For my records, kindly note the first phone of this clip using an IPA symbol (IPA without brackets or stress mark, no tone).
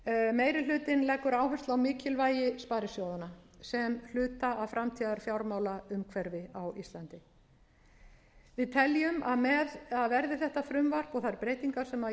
m